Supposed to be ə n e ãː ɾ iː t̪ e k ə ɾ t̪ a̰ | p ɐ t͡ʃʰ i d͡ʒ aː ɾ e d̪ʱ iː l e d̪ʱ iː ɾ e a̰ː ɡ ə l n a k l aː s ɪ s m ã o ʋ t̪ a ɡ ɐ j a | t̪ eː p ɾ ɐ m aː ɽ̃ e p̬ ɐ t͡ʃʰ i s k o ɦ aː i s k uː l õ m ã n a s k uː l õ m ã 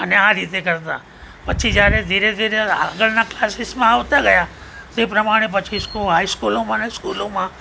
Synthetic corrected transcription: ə n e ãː ɾ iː t̪ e k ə ɾ t̪ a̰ | p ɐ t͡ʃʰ i d͡ʒ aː ɾ e d̪ʱ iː ɾ e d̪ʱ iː ɾ e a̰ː ɡ ə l n a k l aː s ɪ s m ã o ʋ t̪ a ɡ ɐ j a | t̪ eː p ɾ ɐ m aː ɽ̃ e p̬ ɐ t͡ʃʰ i s k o ɦ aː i s k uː l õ m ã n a s k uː l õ m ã

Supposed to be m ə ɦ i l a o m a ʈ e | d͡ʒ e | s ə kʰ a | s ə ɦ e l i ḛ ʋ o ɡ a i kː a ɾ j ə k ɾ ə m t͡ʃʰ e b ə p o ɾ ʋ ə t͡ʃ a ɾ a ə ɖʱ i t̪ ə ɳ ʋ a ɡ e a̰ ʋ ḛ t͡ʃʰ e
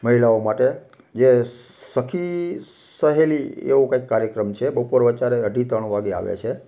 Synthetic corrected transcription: m ə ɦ i l a o m a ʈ e | d͡ʒ e | s ə kʰ i | s ə ɦ e l i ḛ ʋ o k a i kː a ɾ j ə k ɾ ə m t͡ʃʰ e b ə p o ɾ ʋ ə t͡ʃ a ɾ e ə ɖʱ i t̪ ə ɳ ʋ a ɡ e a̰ ʋ ḛ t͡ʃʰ e

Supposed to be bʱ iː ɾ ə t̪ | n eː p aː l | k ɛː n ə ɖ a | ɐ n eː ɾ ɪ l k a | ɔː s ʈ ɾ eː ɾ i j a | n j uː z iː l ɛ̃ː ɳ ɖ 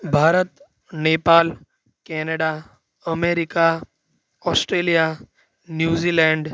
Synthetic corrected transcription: bʱ aː ɾ ə t̪ | n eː p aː l | k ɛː n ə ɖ a | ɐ m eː ɾ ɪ k a | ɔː s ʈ ɾ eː l i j a | n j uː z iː l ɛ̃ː ɳ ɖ

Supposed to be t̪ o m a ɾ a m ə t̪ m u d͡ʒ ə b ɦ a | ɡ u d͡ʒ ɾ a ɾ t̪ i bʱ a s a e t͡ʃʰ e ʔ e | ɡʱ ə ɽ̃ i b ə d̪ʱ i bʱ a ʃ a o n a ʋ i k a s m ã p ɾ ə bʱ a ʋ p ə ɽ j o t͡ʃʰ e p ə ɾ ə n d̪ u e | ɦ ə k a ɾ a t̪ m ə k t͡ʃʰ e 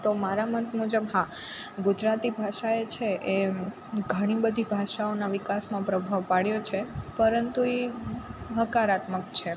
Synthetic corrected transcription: t̪ o m a ɾ a m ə t̪ m u d͡ʒ ə b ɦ a | ɡ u d͡ʒ ɾ a t̪ i bʱ a ʃ a e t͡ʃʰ e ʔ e | ɡʱ ə ɽ̃ i b ə d̪ʱ i bʱ a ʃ a o n a ʋ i k a s m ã p ɾ ə bʱ a ʋ p a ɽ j o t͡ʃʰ e p ə ɾ ə n t̪ u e | ɦ ə k a ɾ a t̪ m ə k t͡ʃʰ e

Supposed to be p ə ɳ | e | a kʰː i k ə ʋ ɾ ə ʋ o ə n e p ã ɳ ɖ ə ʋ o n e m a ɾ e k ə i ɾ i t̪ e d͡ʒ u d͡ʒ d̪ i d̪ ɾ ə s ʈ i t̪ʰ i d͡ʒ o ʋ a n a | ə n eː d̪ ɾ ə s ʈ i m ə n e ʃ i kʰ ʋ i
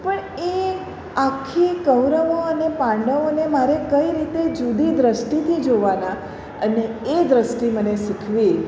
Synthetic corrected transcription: p ə ɳ | e | a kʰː i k ə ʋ ɾ ə ʋ o ə n e p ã ɳ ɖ ə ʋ o n e m a ɾ e k ə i ɾ i t̪ e d͡ʒ u d̪ i d̪ ɾ ə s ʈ i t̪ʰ i d͡ʒ o ʋ a n a | ə n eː d̪ ɾ ə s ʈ i m ə n e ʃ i kʰ ʋ i

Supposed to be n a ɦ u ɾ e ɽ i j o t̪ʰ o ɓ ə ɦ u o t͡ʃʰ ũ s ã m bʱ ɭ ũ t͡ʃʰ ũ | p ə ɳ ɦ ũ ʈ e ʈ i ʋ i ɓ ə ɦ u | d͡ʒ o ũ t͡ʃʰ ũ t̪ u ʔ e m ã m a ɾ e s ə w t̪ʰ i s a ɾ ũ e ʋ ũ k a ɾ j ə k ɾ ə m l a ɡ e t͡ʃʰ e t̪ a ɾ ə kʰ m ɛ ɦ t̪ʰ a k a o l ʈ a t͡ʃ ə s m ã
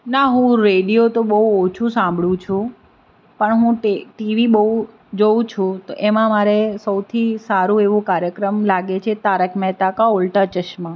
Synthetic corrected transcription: n a ɦ ũ ɾ e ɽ i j o t̪ o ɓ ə ɦ u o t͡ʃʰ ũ s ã m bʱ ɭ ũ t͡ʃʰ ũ | p ə ɳ ɦ ũ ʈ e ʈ i ʋ i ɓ ə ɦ u | d͡ʒ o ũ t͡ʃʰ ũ t̪ o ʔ e m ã m a ɾ e s ə w t̪ʰ i s a ɾ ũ e ʋ ũ k a ɾ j ə k ɾ ə m l a ɡ e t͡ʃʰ e t̪ a ɾ ə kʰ m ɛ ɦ t̪ a k a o l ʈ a t͡ʃ ə ʃ m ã

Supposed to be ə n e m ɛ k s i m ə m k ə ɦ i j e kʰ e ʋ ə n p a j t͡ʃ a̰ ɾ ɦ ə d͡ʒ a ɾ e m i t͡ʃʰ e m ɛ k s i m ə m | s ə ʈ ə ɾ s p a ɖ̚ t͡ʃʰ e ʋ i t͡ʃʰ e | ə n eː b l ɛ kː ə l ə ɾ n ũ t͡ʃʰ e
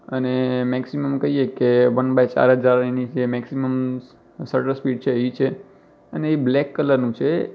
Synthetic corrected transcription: ə n e m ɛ k s i m ə m k ə ɦ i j e k e ʋ ə n b a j t͡ʃ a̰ ɾ ɦ ə d͡ʒ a ɾ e n i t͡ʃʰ e m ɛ k s i m ə m | s ə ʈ ə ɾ s p i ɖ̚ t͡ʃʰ e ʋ i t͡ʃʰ e | ə n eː b l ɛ kː ə l ə ɾ n ũ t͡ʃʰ e

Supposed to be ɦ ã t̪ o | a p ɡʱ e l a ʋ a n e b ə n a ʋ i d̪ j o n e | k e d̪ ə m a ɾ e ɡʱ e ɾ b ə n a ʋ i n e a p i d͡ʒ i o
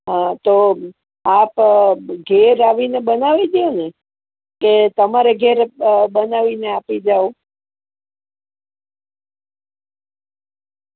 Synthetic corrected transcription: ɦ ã t̪ o | a p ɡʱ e ɾ a ʋ i n e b ə n a ʋ i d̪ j o n e | k e t̪ ə m a ɾ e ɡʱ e ɾ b ə n a ʋ i n e a p i d͡ʒ a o

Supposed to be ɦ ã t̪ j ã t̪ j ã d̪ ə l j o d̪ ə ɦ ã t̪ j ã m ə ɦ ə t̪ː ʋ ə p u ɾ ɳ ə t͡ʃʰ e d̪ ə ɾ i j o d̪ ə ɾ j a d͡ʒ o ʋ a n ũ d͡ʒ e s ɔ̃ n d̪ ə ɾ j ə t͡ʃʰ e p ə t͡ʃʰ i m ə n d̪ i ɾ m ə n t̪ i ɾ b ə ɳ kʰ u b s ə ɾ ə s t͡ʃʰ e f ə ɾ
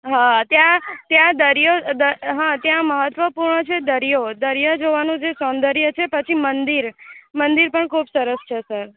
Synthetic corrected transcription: ɦ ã t̪ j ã t̪ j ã d̪ ə ɾ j o d̪ ə ɦ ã t̪ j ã m ə ɦ ə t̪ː ʋ ə p u ɾ ɳ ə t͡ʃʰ e d̪ ə ɾ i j o d̪ ə ɾ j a d͡ʒ o ʋ a n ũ d͡ʒ e s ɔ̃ n d̪ ə ɾ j ə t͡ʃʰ e p ə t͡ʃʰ i m ə n d̪ i ɾ m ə n d̪ i ɾ p ə ɳ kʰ u b s ə ɾ ə s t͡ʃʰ e s ə ɾ

